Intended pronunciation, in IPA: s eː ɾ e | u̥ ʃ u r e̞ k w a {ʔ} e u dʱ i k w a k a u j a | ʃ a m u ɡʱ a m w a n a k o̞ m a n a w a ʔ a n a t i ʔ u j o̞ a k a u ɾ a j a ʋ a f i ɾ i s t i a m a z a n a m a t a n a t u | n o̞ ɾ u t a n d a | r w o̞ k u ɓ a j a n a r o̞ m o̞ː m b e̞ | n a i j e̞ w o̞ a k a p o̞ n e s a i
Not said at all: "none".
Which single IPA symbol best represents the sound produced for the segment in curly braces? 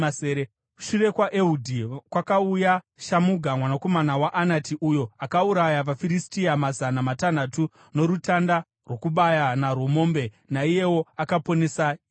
ʔ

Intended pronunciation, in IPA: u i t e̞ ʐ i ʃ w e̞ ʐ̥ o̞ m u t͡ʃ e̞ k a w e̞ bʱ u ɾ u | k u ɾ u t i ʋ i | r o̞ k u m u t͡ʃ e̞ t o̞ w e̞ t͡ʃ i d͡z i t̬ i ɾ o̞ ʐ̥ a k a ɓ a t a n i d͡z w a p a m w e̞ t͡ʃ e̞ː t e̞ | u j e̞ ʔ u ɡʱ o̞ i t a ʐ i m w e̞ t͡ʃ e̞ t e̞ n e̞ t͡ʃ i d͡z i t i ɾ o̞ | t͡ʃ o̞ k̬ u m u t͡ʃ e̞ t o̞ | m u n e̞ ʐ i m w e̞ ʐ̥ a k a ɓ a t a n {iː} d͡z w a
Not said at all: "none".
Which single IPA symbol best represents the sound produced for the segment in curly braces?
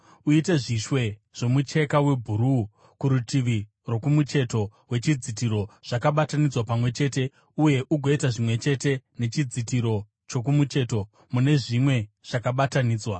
iː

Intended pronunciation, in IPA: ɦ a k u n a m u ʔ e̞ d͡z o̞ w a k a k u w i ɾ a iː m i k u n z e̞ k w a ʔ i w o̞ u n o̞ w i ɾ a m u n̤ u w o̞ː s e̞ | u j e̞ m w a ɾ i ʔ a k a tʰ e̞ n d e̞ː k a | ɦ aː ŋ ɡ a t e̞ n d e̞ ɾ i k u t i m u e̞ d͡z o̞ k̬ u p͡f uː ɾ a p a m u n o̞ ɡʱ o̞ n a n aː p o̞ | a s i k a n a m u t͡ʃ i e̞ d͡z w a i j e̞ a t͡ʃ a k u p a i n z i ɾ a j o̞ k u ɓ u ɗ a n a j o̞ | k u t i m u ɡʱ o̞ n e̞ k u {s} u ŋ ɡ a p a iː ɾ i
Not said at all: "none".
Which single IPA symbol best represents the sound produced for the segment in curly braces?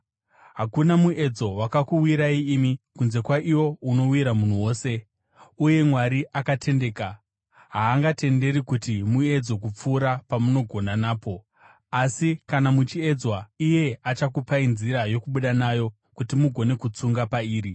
t͡s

